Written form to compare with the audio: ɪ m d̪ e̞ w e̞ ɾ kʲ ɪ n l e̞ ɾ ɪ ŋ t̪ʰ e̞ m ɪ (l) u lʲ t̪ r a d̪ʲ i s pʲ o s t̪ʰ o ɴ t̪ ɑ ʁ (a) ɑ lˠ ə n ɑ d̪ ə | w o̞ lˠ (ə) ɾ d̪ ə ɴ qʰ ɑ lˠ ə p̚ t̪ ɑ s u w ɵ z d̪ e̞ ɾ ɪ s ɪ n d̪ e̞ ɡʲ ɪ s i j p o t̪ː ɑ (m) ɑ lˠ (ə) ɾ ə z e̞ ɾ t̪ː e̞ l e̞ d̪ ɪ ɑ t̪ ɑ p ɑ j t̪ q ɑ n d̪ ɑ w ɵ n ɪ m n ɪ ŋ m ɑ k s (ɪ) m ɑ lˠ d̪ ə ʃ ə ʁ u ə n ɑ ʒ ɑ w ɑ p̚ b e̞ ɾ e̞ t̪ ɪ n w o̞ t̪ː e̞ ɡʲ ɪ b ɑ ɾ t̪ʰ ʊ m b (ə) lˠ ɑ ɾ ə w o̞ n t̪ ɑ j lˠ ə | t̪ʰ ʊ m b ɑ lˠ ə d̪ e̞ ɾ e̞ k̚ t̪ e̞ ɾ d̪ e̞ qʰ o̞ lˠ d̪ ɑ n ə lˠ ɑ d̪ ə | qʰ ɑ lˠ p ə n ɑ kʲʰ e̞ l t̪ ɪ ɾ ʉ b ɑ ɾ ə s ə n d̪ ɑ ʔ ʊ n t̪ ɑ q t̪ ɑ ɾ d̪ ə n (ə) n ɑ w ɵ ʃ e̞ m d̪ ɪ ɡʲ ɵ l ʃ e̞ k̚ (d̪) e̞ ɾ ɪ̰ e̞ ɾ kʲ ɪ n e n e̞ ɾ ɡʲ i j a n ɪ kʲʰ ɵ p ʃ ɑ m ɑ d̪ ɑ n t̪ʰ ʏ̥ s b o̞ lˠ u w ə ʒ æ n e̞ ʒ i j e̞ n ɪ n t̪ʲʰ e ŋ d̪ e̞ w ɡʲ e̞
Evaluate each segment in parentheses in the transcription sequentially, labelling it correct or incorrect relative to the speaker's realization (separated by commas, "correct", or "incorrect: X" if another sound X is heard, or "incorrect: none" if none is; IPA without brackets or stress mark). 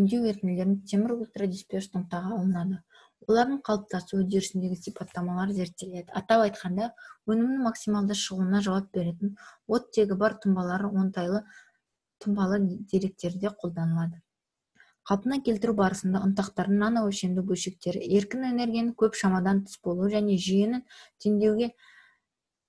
incorrect: ɾ, incorrect: ɑ, incorrect: ɑ, correct, incorrect: ɑ, incorrect: i, incorrect: ɑ, incorrect: ɑ, incorrect: t̪